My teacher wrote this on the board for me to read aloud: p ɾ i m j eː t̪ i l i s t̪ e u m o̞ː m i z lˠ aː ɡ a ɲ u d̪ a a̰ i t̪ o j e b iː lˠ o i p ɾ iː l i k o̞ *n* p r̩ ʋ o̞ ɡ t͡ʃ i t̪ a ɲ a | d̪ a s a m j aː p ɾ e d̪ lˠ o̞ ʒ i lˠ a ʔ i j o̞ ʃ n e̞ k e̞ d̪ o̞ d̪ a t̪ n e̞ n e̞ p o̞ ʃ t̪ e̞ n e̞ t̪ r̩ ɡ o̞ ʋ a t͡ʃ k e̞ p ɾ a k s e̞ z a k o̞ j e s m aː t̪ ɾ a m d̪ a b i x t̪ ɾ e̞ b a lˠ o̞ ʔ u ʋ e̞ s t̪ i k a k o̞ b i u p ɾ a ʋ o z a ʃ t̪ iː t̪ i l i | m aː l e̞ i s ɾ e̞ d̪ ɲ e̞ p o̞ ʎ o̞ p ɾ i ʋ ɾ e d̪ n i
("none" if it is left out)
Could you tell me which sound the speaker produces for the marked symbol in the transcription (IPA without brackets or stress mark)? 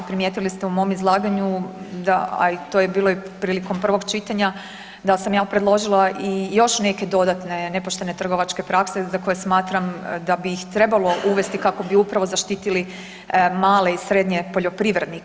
m